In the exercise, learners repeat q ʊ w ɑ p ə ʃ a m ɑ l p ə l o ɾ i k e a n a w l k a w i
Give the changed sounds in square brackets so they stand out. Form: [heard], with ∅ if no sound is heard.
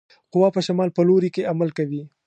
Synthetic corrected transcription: q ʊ w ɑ p ə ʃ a m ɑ l p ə l o ɾ i k e a [m] a [∅] l k a w i